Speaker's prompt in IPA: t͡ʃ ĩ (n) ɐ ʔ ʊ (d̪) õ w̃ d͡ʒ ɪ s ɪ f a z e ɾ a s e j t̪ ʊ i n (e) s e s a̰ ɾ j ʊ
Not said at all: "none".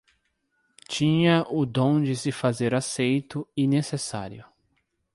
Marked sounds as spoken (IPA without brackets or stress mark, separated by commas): ɲ, d̪, e